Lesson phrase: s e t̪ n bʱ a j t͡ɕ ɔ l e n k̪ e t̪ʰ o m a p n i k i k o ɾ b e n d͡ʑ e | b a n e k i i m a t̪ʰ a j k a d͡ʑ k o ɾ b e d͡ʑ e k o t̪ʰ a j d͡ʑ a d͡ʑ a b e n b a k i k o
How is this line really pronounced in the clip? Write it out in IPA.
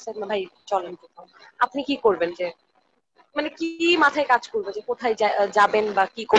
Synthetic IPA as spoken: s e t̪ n bʱ a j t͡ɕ ɔ l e n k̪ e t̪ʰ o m a p n i k i k o ɾ b e n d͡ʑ e | m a n e k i i m a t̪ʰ a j k a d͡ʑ k o ɾ b e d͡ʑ e k o t̪ʰ a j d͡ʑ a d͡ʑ a b e n b a k i k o